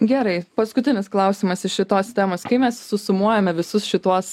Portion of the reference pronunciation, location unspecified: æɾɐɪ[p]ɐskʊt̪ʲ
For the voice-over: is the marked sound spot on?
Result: yes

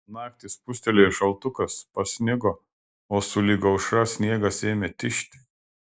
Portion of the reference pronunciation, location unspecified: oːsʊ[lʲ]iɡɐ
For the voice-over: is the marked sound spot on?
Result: yes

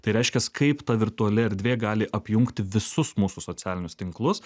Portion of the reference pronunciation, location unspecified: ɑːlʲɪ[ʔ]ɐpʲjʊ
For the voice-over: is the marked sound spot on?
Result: yes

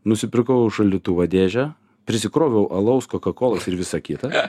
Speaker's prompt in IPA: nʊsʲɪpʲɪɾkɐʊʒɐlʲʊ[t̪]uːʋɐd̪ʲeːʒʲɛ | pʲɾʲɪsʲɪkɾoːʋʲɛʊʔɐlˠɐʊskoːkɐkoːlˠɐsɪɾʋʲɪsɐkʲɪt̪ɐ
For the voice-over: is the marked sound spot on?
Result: yes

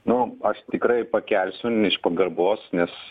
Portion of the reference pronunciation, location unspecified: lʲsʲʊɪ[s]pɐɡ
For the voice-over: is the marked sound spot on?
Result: no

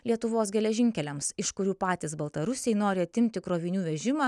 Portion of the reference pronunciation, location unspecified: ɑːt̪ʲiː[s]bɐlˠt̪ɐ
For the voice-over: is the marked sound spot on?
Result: yes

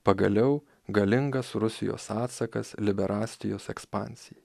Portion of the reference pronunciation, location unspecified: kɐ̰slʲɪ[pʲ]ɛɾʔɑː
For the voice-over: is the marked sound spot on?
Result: no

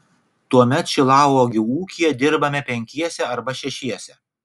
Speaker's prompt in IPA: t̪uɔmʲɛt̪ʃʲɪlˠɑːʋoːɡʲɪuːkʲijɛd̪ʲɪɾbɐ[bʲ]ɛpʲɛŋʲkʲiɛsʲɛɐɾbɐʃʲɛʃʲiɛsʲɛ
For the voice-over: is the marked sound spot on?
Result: no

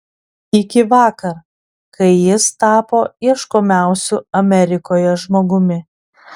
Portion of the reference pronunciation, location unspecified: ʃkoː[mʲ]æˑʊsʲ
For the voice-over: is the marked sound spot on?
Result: yes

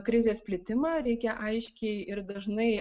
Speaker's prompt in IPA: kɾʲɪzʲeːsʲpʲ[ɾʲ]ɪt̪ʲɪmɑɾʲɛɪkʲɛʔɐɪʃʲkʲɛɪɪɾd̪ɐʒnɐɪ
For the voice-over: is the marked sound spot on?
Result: no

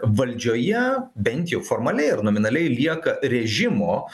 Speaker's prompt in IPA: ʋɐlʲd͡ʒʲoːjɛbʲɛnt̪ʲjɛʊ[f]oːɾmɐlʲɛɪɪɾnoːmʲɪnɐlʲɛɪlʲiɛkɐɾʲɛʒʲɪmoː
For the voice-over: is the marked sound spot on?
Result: yes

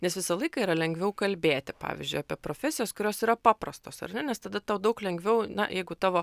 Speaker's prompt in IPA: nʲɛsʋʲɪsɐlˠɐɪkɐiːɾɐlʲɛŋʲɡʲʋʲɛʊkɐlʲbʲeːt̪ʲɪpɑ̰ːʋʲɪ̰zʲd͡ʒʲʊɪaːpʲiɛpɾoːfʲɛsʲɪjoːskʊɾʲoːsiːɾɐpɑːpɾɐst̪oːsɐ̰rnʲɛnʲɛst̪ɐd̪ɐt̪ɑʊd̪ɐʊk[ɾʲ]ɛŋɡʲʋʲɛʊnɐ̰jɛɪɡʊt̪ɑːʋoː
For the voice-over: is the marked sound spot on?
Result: no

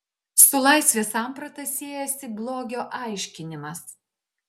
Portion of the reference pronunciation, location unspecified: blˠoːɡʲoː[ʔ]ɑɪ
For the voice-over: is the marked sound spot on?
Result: yes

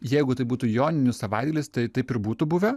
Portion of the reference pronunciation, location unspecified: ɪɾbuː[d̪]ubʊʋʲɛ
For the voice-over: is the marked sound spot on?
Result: no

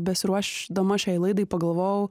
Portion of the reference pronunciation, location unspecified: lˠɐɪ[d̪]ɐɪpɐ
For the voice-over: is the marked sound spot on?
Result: yes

